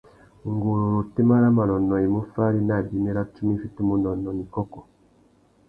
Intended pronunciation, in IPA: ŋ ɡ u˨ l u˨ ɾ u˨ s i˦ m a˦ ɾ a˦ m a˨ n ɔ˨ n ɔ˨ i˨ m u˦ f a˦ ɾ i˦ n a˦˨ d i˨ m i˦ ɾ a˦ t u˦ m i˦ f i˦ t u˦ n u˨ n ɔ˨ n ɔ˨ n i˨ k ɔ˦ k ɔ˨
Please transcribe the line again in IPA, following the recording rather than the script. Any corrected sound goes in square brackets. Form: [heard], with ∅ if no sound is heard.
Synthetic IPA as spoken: ŋ ɡ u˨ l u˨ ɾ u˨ [t] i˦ m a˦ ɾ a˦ m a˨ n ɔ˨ n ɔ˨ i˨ m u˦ f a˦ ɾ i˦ n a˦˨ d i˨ m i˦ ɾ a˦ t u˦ m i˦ f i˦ t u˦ [m] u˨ n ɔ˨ n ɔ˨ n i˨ k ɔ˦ k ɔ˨